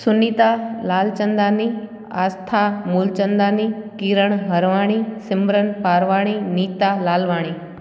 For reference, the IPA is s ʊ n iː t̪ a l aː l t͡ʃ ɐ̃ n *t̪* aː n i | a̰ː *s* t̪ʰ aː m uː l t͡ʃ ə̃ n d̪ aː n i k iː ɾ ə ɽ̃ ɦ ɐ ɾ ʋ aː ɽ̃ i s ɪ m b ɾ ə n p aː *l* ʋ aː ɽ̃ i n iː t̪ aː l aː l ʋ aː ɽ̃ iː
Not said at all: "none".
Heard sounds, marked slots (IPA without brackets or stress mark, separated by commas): d̪, s, ɾ